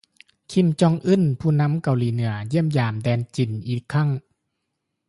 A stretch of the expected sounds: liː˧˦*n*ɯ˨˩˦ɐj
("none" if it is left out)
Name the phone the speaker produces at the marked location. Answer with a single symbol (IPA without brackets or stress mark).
n